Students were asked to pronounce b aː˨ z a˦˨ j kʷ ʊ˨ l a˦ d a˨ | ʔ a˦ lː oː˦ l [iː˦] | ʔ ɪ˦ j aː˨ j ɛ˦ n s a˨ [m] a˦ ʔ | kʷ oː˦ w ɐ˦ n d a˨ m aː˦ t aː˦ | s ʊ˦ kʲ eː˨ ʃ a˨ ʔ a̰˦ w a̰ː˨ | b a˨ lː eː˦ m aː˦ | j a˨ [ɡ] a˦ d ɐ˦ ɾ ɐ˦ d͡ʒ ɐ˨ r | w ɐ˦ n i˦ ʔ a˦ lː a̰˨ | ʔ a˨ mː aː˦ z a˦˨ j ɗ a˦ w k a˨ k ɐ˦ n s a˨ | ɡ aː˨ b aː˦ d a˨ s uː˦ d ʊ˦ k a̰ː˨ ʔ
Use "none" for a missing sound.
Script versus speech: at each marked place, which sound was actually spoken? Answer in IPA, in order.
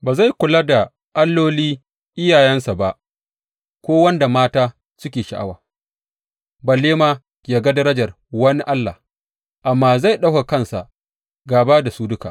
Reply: iː˦, b, ɡ

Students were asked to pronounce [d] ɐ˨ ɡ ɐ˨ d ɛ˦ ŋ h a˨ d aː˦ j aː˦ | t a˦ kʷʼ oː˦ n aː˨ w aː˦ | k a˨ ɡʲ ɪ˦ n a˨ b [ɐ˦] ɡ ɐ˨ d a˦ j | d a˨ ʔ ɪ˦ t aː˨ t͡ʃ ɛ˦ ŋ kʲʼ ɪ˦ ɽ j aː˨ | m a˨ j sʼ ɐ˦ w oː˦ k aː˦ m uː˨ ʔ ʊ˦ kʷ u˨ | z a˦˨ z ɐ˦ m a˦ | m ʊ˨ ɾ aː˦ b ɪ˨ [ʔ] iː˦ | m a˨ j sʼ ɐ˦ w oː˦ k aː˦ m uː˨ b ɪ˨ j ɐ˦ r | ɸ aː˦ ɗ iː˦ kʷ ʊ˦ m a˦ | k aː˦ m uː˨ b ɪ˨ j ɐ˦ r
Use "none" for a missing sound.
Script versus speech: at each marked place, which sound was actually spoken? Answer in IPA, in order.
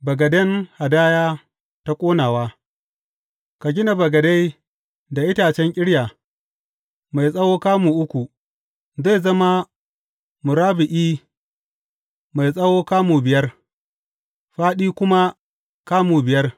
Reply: b, ɐ˨, ʔ

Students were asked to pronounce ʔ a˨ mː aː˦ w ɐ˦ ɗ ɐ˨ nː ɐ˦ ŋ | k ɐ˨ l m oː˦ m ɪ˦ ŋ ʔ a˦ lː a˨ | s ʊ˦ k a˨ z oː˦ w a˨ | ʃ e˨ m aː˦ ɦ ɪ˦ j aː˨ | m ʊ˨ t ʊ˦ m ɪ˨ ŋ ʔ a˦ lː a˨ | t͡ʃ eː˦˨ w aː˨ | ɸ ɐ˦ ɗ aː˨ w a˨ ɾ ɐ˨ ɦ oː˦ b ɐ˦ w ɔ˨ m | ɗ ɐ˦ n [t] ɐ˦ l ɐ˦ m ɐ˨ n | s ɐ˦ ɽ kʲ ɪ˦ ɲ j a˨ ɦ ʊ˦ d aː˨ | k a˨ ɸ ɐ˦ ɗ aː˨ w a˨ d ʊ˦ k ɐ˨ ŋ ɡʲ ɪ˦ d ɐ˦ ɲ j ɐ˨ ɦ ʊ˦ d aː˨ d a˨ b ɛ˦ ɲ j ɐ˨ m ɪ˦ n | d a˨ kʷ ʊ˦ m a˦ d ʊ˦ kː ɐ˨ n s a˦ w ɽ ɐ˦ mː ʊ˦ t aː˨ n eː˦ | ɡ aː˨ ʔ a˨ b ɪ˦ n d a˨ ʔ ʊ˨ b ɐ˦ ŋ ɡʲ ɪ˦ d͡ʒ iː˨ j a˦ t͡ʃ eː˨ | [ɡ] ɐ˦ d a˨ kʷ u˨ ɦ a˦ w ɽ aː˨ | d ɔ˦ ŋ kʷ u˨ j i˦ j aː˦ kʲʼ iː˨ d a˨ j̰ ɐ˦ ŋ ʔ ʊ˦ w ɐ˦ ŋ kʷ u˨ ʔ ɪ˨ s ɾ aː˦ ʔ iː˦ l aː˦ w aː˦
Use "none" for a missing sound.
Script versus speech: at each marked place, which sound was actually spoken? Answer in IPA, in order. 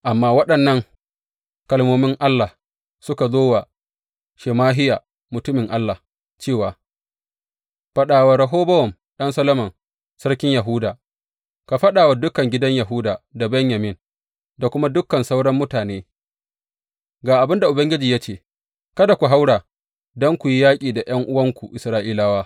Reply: s, k

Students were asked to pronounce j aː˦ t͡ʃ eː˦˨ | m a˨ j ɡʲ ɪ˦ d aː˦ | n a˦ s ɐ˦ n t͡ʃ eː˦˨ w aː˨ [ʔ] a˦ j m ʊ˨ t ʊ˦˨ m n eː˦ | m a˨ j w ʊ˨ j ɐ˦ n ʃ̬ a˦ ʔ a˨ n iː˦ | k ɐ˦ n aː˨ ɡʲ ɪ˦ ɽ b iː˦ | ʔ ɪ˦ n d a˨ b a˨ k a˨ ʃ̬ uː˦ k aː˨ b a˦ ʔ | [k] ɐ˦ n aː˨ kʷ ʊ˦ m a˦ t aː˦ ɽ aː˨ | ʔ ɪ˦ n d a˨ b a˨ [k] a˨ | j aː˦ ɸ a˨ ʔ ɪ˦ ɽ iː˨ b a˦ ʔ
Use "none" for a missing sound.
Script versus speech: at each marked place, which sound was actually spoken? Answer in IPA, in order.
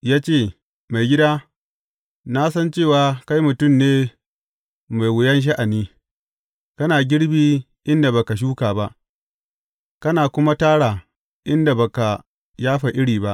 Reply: k, k, k

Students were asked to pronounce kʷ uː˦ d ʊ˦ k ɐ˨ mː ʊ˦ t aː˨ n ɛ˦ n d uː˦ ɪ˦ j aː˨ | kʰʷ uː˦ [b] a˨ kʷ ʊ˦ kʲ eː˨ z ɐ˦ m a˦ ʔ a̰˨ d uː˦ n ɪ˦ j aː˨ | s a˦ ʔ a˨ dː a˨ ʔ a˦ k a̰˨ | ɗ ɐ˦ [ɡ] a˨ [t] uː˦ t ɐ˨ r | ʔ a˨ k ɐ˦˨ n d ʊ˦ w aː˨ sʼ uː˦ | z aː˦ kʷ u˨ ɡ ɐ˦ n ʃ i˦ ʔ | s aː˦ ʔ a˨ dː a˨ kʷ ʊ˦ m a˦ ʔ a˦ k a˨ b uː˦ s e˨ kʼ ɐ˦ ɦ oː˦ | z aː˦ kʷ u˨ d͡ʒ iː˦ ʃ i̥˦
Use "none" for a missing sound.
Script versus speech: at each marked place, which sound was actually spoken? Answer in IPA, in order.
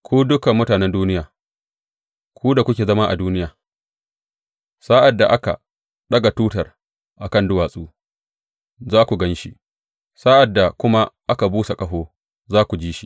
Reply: d, ɡ, t

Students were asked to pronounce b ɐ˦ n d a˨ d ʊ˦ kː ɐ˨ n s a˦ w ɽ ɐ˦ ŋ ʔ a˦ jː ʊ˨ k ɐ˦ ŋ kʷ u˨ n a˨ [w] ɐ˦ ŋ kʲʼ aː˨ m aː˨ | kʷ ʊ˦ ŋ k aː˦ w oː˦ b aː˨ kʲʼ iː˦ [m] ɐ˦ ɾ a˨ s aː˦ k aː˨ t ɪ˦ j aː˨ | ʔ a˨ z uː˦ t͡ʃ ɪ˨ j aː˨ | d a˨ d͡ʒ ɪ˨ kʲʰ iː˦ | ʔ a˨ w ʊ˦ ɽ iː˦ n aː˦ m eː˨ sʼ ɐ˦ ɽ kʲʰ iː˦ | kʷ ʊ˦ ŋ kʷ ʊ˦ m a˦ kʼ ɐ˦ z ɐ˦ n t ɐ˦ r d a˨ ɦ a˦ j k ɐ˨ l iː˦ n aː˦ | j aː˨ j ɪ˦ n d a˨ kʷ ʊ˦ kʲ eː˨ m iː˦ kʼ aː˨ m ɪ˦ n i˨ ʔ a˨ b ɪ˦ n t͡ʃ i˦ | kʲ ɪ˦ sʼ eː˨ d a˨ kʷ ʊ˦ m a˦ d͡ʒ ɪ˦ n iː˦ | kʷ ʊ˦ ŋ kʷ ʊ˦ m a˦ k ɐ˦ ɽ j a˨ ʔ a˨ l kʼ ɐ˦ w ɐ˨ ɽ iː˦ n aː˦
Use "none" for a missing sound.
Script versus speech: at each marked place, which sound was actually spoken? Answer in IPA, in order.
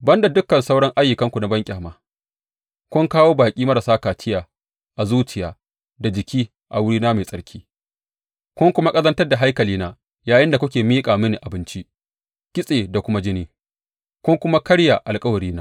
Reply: b, m

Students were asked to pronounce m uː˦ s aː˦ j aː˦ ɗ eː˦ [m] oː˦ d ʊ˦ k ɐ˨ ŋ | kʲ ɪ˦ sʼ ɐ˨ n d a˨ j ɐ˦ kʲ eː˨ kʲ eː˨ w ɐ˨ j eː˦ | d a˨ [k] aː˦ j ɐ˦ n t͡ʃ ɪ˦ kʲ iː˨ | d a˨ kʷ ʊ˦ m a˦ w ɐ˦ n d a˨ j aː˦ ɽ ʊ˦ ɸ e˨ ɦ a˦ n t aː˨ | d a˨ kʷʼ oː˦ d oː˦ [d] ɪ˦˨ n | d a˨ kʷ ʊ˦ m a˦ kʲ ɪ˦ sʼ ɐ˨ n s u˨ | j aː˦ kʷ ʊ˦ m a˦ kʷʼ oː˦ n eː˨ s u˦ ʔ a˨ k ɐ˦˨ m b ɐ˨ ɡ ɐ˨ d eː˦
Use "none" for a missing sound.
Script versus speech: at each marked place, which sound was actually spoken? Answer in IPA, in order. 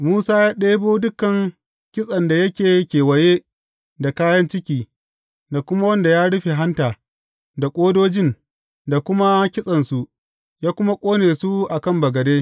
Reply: b, k, d͡ʒ

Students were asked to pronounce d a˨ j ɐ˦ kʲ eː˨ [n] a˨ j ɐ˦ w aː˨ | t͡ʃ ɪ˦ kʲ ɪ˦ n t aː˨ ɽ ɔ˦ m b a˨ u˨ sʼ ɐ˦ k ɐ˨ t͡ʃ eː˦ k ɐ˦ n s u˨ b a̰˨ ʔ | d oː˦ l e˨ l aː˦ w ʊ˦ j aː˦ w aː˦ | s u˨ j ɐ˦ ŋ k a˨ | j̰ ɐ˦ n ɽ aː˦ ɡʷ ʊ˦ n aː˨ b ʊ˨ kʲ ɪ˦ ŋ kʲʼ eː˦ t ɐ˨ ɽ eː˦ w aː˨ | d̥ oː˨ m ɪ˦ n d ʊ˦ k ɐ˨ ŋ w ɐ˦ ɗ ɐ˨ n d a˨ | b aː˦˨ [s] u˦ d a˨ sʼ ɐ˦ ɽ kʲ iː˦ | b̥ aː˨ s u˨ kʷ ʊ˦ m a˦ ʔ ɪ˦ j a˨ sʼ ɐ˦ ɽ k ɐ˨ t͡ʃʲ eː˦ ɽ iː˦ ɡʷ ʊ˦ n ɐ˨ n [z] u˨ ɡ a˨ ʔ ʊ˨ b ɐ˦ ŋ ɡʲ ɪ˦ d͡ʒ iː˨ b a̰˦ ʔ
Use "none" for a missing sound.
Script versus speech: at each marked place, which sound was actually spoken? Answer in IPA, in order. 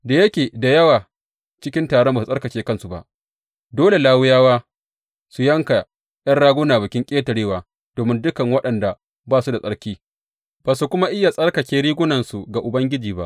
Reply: d, s, s

